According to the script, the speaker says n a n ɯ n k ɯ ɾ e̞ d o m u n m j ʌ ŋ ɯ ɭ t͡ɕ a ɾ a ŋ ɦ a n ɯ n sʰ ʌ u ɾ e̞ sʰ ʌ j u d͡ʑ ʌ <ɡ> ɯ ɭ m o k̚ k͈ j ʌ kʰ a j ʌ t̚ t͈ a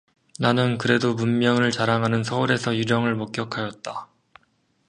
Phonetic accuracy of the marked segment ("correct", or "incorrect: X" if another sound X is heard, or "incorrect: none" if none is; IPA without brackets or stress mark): incorrect: ŋ